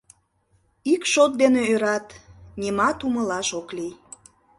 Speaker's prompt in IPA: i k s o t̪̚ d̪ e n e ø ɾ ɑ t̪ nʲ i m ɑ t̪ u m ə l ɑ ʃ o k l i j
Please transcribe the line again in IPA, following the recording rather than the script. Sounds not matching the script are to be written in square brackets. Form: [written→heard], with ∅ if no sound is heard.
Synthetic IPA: i k [s→ʃ] o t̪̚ d̪ e n e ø ɾ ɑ t̪ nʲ i m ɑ t̪ u m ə l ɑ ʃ o k l i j

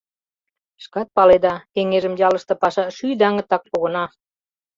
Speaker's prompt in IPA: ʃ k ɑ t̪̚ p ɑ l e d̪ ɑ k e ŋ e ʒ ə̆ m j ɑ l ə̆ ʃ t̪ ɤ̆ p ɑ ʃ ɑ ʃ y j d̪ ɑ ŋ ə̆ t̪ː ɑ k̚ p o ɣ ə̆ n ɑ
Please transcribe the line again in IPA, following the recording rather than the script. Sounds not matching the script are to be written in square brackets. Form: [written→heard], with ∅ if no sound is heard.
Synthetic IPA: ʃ k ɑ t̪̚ p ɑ l e d̪ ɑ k e ŋ e ʒ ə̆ m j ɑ l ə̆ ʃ t̪ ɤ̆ p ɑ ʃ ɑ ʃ y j d̪ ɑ ŋ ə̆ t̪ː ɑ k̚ p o ɣ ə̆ n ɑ

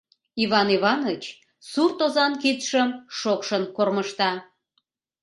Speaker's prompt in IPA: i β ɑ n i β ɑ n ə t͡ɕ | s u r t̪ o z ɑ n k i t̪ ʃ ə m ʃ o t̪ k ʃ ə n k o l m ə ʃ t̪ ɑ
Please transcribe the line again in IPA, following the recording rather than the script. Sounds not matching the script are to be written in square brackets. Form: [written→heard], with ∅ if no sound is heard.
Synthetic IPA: i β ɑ n i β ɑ n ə t͡ɕ | s u r t̪ o z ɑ n k i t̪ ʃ ə m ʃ o [t̪→∅] k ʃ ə n k o [l→r] m ə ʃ t̪ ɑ

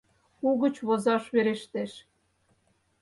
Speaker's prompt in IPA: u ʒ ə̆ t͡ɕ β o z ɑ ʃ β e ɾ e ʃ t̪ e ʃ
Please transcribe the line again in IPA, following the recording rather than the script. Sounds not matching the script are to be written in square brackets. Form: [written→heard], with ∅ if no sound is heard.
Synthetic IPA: u [ʒ→ɣ] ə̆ t͡ɕ β o z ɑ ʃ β e ɾ e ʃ t̪ e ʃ

